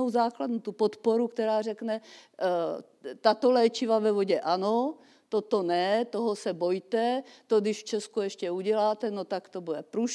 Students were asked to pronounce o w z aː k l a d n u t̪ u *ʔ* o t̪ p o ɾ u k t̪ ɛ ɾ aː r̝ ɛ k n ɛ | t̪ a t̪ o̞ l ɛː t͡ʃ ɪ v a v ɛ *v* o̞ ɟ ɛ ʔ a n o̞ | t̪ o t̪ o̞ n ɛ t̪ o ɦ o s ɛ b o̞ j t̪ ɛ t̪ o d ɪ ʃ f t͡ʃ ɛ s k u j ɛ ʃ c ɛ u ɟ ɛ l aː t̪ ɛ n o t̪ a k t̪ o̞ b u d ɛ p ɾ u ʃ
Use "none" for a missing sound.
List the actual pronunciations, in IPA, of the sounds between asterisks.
p, v

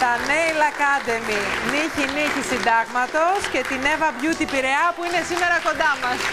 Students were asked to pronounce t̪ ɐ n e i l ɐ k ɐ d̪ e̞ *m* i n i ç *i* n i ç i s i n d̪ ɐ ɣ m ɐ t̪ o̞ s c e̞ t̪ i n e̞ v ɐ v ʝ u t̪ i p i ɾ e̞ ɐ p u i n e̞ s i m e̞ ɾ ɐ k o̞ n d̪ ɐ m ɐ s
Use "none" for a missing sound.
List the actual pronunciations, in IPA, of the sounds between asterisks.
m, i

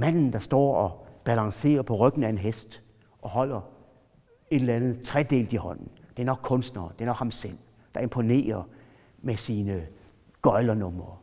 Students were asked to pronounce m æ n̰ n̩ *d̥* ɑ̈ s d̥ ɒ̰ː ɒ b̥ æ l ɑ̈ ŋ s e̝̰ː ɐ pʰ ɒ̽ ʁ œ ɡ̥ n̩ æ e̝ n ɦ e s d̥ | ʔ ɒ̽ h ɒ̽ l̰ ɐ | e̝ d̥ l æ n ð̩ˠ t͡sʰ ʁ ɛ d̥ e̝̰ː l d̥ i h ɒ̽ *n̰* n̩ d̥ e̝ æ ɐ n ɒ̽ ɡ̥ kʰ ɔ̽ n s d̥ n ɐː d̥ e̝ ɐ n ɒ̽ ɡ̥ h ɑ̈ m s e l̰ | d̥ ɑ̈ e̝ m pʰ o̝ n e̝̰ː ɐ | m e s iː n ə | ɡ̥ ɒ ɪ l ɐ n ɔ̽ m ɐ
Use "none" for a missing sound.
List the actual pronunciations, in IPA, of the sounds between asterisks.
d̥, n̰

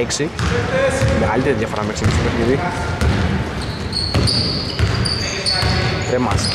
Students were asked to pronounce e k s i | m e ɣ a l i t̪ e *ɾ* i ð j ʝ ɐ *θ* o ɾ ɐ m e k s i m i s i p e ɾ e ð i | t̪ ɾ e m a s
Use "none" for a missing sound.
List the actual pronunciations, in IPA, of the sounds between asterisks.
ɾ, f

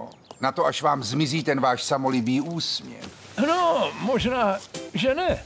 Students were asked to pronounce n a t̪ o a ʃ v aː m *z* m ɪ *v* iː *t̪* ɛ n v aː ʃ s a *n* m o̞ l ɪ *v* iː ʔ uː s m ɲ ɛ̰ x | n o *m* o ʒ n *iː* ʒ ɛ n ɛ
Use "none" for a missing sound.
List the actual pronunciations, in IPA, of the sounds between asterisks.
z, z, t̪, none, b, m, aː

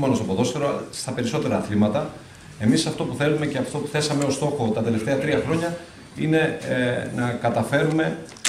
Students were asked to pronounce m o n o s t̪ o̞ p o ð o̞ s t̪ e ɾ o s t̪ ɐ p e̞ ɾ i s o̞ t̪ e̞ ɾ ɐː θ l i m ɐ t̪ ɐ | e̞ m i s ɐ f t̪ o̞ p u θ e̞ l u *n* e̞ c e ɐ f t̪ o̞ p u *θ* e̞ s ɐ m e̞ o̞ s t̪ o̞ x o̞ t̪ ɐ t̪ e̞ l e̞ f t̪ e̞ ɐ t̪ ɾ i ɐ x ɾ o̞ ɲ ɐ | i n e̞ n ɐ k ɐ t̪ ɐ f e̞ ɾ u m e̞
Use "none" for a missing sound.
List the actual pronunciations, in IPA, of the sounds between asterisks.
m, θ

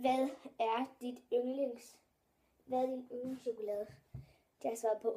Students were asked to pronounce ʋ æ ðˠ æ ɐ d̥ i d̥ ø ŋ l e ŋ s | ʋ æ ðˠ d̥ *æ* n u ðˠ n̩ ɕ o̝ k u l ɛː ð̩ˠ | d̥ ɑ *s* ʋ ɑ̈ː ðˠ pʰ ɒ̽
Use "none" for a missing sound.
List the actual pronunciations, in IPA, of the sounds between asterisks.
i, s

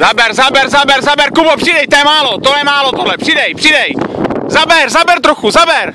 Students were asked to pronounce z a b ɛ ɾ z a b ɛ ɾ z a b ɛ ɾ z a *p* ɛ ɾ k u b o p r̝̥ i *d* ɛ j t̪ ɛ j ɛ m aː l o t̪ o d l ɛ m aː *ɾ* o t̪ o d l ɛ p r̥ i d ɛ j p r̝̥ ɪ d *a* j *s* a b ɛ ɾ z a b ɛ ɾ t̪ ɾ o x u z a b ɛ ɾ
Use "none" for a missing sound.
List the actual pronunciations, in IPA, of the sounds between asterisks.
b, d, l, ɛ, z

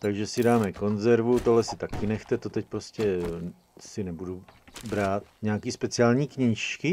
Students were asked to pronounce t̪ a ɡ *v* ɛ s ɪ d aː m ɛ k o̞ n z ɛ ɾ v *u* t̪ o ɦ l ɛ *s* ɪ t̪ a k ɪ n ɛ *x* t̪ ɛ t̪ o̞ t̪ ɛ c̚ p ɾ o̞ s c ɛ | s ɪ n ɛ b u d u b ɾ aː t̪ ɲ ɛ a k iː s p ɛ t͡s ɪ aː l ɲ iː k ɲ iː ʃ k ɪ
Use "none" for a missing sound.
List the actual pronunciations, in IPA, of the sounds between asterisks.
ʒ, u, s, x

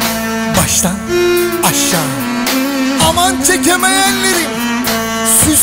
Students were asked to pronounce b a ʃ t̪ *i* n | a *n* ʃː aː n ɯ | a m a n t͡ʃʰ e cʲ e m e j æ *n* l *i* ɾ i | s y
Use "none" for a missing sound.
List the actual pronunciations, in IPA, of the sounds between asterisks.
a, none, n, e

